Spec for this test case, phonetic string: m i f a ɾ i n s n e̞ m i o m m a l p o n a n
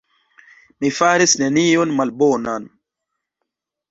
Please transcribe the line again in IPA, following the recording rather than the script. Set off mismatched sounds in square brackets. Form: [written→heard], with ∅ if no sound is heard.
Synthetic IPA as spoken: m i f a ɾ i [n→∅] s n e̞ [m→n] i o [m→n] m a l [p→b] o n a n

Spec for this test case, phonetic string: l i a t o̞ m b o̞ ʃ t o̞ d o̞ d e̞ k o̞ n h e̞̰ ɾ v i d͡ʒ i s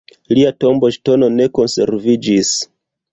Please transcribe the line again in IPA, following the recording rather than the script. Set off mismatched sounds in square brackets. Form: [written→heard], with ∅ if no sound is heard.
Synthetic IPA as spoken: l i a t o̞ m b o̞ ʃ t o̞ [d→n] o̞ [d→n] e̞ k o̞ n [h→s] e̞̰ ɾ v i d͡ʒ i s

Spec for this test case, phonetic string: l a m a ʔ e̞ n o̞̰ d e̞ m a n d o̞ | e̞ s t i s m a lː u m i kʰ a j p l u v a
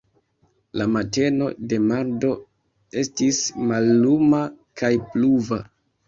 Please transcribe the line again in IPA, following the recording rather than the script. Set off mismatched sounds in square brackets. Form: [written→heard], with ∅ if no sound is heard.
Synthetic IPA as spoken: l a m a [ʔ→t] e̞ n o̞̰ d e̞ m a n d o̞ | e̞ s t i s m a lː u m [i→a] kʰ a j p l u v a

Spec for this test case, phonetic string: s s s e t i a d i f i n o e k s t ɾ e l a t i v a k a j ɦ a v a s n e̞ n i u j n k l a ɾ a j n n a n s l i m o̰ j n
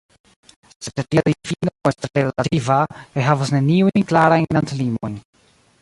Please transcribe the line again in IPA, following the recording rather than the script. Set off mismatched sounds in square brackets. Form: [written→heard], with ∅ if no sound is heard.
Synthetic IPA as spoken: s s s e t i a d i f i n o e [k→∅] s t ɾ e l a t i v a k a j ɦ a v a s n e̞ n i u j n k l a ɾ a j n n a n [s→t] l i m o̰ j n

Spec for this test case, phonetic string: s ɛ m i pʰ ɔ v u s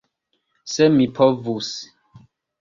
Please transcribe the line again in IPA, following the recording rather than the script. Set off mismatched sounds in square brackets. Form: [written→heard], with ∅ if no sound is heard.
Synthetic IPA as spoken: s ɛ m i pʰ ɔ v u s

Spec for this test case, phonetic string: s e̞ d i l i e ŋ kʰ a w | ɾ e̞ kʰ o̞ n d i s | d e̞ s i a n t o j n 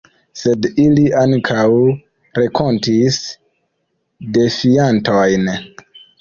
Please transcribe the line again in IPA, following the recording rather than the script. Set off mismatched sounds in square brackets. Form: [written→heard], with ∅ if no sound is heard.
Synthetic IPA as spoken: s e̞ d i l i [e→a] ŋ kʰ a w | ɾ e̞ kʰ o̞ n [d→t] i s | d e̞ [s→f] i a n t o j n

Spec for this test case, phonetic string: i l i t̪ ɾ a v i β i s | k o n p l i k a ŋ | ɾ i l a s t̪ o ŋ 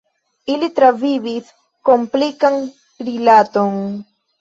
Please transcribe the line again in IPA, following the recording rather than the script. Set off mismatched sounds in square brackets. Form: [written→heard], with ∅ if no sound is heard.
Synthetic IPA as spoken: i l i t̪ ɾ a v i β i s | k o [n→m] p l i k a ŋ | ɾ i l a [s→∅] t̪ o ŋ

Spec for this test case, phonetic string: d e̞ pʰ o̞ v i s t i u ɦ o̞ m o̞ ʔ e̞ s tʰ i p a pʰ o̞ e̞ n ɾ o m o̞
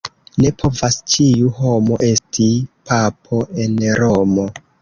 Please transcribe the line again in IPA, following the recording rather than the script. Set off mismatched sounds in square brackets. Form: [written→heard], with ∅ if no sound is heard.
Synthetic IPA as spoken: [d→n] e̞ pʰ o̞ v [i→a] s [t→t͡ʃ] i u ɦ o̞ m o̞ ʔ e̞ s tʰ i p a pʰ o̞ e̞ n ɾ o m o̞

